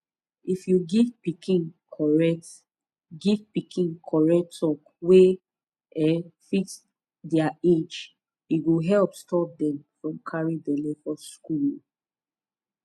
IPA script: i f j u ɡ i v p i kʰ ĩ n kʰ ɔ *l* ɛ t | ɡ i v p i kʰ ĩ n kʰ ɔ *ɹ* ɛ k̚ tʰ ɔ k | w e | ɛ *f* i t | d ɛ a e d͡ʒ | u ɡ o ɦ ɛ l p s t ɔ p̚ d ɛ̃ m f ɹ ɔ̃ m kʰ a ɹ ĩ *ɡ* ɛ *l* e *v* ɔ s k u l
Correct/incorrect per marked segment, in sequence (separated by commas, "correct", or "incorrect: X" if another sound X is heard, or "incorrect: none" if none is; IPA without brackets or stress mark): incorrect: ɹ, correct, correct, incorrect: d, correct, incorrect: f